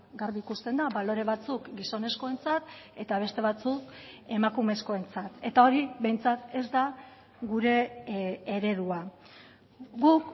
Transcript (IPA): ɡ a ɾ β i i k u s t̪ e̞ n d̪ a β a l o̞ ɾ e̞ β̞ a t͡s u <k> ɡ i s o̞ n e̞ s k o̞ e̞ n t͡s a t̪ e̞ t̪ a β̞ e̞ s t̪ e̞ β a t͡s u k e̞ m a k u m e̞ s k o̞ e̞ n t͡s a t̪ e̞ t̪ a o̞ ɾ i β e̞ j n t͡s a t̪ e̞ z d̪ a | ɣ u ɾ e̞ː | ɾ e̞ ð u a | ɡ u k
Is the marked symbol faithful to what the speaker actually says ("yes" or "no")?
yes